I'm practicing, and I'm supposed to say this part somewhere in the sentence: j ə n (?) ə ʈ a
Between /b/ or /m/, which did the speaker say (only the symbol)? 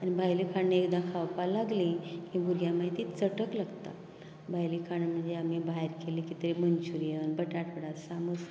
b